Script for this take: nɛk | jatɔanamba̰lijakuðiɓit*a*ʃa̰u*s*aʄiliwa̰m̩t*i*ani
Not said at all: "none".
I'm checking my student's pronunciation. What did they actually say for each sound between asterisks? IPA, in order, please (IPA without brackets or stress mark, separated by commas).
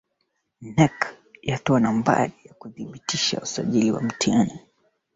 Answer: i, s, i